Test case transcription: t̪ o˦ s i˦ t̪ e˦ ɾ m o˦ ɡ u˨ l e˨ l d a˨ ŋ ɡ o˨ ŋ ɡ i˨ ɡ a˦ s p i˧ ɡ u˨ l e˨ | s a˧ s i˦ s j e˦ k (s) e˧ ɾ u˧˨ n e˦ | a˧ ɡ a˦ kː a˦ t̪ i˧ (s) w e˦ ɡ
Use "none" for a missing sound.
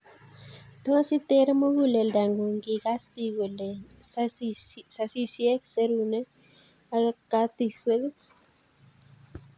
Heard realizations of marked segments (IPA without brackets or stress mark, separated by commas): s, s